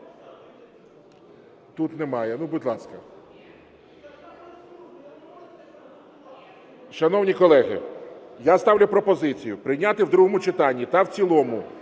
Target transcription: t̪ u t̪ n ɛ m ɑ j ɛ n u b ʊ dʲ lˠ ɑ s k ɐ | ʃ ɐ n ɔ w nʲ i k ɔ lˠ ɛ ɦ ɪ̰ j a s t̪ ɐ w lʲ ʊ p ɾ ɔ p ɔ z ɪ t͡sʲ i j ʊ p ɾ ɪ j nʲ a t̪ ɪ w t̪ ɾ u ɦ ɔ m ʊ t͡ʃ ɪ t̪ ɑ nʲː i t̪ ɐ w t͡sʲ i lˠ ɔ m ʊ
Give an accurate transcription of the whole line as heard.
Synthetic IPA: t̪ u t̪ n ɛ m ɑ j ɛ n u b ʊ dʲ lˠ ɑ s k ɐ | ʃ ɐ n ɔ w nʲ i k ɔ lˠ ɛ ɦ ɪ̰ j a s t̪ ɑ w lʲ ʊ p ɾ ɔ p ɔ z ɪ t͡sʲ i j ʊ p ɾ ɪ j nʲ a t̪ ɪ w d̪ ɾ u ɦ ɔ m ʊ t͡ʃ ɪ t̪ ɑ nʲː i t̪ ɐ w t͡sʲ i lˠ ɔ m ʊ